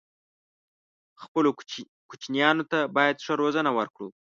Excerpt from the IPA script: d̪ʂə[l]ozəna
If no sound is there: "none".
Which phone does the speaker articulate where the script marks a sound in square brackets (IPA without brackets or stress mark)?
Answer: ɾ